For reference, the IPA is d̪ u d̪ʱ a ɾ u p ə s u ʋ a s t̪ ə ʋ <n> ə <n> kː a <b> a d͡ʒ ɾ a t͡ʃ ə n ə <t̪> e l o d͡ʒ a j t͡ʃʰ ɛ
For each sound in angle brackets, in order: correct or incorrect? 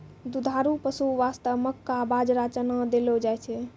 incorrect: m, incorrect: none, correct, incorrect: d̪

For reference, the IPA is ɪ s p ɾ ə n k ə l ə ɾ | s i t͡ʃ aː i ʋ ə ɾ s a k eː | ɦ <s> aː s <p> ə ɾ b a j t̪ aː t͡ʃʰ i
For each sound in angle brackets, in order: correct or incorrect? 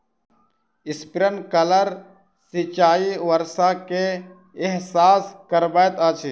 correct, incorrect: k

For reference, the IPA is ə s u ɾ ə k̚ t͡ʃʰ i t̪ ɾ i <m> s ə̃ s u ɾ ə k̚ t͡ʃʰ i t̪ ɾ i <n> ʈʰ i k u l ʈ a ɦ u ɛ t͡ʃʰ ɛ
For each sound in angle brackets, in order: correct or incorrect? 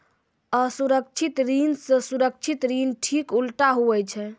incorrect: n, correct

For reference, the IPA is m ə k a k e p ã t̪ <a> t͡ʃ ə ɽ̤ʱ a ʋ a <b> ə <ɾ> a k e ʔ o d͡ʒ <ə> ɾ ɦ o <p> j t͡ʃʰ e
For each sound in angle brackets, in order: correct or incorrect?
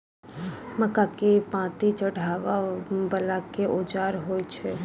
incorrect: i, correct, incorrect: l, incorrect: a, incorrect: none

